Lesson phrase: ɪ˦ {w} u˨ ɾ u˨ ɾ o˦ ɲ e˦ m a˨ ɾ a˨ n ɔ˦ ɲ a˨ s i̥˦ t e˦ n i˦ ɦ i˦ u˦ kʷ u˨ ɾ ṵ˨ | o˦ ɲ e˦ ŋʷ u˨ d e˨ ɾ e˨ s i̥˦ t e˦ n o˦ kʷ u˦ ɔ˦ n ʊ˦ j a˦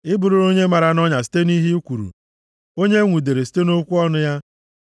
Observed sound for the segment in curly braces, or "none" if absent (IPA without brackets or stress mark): b